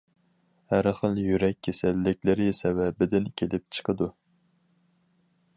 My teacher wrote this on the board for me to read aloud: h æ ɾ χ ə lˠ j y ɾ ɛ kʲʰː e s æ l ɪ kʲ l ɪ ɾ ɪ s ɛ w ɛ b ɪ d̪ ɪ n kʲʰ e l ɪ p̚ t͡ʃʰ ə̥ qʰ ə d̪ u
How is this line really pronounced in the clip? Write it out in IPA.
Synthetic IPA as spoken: h æ ɾ χ ə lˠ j y ɾ ɛ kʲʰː e s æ lː ɪ kʲ l ɪ ɾ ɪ s ɛ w ɛ b ɪ d̪ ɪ n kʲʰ e l ɪ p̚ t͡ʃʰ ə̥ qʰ ə d̪ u